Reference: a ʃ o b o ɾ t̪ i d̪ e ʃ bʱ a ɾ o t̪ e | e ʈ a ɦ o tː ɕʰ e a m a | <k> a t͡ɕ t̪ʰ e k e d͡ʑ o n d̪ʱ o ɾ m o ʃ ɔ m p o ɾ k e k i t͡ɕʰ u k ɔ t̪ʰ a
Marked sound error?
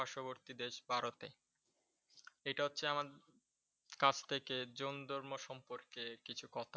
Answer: no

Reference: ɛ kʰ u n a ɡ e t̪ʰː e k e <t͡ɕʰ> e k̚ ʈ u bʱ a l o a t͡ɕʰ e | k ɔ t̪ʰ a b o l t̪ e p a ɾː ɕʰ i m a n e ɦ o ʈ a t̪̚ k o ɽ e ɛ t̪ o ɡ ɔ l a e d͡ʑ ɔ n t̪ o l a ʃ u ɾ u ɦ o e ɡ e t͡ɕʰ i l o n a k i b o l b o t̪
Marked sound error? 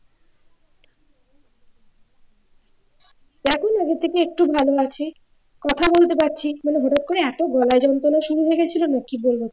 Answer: yes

